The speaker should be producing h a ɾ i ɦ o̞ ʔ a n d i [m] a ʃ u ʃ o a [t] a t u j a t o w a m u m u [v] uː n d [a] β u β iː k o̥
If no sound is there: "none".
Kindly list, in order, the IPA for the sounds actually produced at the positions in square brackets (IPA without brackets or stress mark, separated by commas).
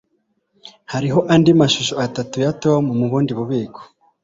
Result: m, t, β, i